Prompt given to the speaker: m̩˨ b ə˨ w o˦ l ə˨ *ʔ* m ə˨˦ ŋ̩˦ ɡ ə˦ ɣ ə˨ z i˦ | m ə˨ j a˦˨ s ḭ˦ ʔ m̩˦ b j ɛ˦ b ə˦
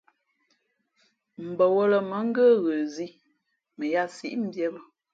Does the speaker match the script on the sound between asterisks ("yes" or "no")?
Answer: no